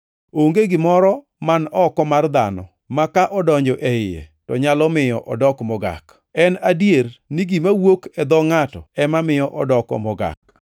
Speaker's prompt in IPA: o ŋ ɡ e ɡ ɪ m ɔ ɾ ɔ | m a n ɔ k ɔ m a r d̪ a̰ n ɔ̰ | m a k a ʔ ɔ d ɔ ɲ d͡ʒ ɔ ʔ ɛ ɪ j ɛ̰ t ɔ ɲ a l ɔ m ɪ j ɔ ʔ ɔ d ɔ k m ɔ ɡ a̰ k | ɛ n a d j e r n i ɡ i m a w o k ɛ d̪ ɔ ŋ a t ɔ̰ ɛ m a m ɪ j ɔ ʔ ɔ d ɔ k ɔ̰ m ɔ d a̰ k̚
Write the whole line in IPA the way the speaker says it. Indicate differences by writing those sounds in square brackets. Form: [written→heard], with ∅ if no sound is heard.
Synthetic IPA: o ŋ ɡ e ɡ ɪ m ɔ ɾ ɔ | m a n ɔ k ɔ m a r d̪ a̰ n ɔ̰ | m a k a ʔ ɔ d ɔ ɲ d͡ʒ ɔ ʔ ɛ ɪ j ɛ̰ t ɔ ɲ a l ɔ m ɪ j ɔ ʔ ɔ d ɔ k m ɔ ɡ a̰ k | ɛ n a d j e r n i ɡ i m a w o k ɛ d̪ ɔ ŋ a t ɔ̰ ɛ m a m ɪ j ɔ ʔ ɔ d ɔ k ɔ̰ m ɔ [d→ɡ] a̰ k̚